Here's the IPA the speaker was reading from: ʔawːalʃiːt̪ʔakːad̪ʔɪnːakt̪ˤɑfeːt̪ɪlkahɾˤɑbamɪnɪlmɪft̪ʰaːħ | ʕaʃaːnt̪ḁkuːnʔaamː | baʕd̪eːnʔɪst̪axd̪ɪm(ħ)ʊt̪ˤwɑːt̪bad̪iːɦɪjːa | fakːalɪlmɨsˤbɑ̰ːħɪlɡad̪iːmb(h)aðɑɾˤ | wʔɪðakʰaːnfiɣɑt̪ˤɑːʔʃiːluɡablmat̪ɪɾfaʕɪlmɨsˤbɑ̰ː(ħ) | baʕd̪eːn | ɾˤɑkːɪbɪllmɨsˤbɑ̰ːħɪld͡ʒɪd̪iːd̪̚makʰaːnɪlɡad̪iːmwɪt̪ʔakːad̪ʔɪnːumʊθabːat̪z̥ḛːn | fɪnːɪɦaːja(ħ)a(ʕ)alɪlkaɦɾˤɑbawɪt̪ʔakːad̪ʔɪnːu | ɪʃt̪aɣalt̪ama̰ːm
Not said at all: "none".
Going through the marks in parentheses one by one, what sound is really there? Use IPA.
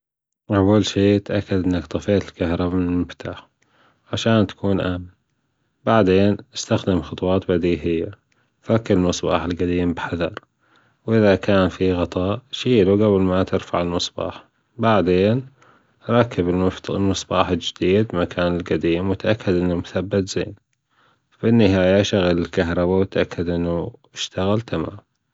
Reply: x, ħ, ħ, ʃ, ɣ

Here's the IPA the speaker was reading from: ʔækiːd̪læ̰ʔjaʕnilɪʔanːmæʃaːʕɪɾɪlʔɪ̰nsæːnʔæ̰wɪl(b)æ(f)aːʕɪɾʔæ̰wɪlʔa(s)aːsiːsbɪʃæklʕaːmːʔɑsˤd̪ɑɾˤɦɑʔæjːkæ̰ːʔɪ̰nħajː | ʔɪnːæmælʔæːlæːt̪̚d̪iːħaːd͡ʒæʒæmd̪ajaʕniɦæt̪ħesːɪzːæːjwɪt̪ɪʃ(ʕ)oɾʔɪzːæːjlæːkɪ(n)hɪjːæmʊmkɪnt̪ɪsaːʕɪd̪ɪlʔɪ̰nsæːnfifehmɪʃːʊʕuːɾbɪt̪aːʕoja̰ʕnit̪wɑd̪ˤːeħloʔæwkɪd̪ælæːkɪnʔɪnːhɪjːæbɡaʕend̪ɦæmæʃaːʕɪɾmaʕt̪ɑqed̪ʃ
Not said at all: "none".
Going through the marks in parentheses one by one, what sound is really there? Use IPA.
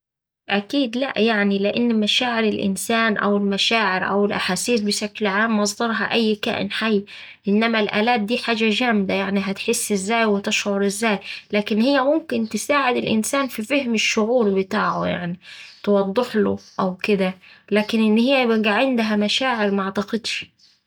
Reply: m, ʃ, ħ, ʕ, n

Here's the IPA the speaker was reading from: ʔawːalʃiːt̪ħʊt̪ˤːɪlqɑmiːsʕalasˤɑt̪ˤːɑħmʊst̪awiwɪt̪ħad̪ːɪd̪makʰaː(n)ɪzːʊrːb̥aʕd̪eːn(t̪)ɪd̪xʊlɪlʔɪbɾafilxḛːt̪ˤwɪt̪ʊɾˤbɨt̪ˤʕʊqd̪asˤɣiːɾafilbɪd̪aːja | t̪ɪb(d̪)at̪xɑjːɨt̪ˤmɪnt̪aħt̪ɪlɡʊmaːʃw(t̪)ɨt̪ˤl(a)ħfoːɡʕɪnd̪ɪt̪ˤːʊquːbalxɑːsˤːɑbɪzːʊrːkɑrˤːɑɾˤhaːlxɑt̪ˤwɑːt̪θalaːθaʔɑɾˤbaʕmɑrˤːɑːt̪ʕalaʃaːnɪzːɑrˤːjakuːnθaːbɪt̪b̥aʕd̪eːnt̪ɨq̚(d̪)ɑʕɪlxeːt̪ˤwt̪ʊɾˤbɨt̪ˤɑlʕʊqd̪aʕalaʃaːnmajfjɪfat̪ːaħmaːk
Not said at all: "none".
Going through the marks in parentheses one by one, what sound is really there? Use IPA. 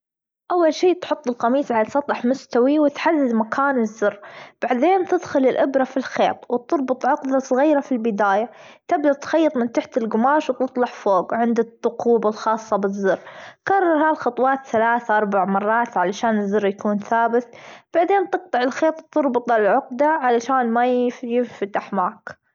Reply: n, t̪, d̪, t̪, ɑ, t̪

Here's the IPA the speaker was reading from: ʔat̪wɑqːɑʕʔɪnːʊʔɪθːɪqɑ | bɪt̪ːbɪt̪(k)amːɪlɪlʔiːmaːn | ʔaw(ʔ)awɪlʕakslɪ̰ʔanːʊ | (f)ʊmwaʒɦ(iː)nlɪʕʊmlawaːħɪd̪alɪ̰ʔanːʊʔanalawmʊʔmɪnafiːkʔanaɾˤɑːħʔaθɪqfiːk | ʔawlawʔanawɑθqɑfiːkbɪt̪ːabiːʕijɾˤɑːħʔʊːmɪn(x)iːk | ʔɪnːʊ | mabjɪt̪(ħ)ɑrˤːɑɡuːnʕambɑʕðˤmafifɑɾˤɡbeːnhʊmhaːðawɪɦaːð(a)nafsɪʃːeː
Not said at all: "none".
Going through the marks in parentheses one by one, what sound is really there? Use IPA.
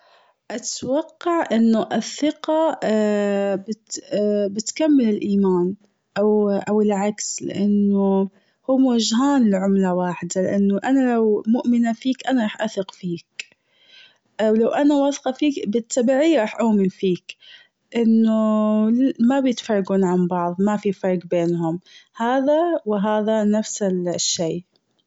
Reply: k, ʔ, h, aː, f, f, a

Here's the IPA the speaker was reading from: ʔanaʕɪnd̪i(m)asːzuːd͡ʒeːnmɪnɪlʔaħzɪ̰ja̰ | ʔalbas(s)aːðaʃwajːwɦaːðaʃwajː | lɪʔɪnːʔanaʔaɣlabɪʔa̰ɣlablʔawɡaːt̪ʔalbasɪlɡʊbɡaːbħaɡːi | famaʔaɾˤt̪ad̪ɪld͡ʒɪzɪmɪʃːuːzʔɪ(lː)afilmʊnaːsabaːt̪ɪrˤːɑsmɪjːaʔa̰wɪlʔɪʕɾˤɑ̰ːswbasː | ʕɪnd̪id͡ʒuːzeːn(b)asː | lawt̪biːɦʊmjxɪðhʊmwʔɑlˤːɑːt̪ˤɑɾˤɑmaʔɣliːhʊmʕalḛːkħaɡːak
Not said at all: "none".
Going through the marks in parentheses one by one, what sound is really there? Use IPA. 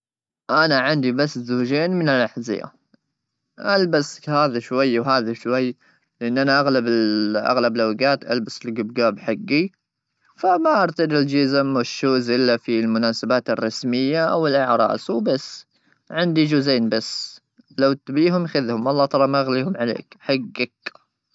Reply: b, h, lː, b

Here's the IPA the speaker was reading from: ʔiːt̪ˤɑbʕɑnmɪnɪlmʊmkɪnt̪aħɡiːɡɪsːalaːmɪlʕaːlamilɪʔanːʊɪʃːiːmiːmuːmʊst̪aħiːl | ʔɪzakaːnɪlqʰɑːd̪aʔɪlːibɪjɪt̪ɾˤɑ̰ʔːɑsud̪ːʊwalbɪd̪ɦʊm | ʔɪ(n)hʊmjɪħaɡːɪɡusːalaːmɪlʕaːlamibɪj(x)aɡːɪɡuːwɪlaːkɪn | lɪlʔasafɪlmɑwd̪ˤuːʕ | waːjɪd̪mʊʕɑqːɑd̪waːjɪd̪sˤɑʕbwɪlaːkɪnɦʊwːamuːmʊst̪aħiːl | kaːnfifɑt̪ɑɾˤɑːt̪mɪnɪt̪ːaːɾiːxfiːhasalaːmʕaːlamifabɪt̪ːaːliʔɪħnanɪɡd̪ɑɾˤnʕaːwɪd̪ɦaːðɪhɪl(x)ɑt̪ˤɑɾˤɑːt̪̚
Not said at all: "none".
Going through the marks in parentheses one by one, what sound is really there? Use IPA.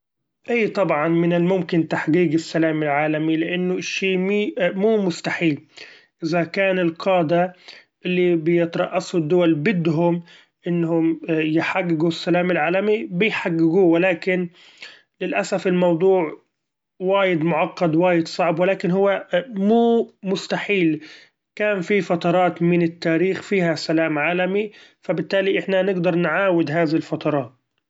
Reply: nː, ħ, f

